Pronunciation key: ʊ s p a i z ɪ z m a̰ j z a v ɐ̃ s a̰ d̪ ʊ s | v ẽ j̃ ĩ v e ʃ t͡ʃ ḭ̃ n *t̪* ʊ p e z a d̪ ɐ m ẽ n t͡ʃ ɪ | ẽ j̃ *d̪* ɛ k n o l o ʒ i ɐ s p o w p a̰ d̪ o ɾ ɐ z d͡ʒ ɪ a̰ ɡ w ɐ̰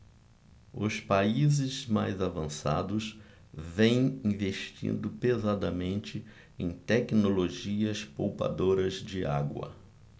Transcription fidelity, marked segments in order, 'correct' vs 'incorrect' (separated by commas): incorrect, incorrect